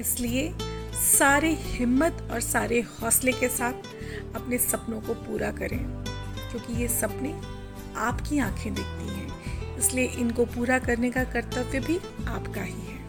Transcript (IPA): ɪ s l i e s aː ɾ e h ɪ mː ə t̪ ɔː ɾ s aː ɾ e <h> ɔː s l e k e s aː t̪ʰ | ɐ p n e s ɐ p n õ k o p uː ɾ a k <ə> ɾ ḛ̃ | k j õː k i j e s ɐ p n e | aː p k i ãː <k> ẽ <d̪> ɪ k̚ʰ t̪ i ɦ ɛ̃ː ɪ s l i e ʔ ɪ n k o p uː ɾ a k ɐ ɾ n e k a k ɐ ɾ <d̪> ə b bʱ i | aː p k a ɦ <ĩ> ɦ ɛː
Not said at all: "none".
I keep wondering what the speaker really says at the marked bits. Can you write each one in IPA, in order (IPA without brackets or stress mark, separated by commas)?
h, ɐ, kʰ, d̪, t̪, i